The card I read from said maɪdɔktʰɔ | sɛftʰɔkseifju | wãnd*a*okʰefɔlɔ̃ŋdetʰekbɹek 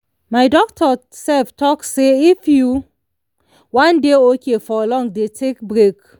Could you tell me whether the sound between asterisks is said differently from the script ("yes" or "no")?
yes